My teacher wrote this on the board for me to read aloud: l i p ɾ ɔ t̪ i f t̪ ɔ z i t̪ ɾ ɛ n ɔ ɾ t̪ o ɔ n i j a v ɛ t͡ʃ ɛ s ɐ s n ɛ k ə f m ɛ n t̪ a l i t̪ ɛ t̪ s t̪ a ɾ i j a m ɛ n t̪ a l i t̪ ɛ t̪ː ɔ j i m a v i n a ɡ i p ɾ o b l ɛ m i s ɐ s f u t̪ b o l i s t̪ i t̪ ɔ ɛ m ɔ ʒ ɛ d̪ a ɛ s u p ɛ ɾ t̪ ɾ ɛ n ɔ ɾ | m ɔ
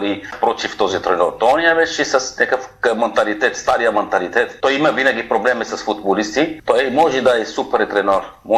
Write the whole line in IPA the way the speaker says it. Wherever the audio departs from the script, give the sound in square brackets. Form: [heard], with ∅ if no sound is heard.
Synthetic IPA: l i p ɾ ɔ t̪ i f t̪ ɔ z i t̪ ɾ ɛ n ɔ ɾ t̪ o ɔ n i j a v ɛ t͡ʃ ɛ s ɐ s n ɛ k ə f m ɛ n t̪ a l i t̪ ɛ t̪ s t̪ a ɾ i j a m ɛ n t̪ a l i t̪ ɛ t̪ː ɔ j i m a v i n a ɡ i p ɾ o b l ɛ m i s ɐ s f u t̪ b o l i s t̪ i t̪ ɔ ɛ m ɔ ʒ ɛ d̪ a ɛ s u p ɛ ɾ t̪ ɾ ɛ n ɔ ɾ | m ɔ